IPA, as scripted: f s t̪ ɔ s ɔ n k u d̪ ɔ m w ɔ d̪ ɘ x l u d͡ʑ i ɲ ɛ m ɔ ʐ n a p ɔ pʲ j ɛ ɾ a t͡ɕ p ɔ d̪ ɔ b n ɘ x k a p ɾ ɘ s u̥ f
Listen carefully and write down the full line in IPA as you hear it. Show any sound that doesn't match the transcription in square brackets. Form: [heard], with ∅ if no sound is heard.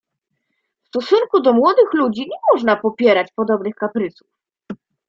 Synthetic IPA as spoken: f s t̪ ɔ s [u] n k u d̪ ɔ m w ɔ d̪ ɘ x l u d͡ʑ i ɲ ɛ m ɔ ʐ n a p ɔ pʲ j ɛ ɾ a t͡ɕ p ɔ d̪ ɔ b n ɘ x k a p ɾ ɘ s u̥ f